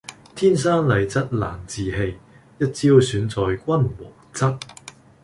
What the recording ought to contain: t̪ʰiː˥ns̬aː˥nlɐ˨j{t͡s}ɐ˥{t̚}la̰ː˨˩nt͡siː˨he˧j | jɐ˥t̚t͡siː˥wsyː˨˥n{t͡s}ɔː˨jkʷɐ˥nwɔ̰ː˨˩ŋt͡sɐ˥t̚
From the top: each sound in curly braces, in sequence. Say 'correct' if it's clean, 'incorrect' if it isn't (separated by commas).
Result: correct, correct, correct